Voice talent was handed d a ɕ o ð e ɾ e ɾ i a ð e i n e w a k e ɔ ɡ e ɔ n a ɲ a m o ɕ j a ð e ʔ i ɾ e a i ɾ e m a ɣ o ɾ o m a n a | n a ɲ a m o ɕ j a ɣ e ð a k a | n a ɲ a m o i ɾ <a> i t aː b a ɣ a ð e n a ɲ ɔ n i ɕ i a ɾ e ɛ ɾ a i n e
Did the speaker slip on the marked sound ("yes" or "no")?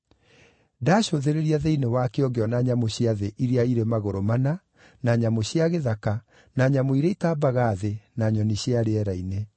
yes